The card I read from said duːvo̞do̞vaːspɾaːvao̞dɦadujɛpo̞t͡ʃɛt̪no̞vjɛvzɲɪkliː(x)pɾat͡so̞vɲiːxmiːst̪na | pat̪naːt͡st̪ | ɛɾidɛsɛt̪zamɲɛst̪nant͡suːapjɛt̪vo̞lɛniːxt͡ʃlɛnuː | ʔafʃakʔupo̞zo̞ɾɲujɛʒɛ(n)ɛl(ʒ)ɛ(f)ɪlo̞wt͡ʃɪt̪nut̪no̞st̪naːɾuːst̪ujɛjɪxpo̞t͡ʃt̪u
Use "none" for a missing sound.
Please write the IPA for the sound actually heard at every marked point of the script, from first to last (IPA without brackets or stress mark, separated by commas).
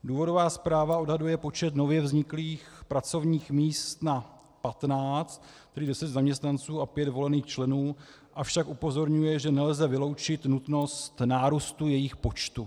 x, n, z, v